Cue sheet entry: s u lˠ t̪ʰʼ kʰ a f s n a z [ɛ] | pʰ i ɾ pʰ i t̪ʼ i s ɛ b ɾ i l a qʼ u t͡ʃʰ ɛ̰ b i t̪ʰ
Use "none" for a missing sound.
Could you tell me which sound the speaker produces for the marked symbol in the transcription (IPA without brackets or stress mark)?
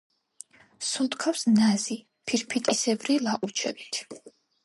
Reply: i